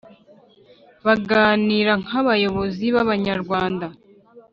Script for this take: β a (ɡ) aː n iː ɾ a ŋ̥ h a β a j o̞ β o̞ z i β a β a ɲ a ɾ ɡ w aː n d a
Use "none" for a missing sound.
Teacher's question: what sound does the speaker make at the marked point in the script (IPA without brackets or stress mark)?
ɡ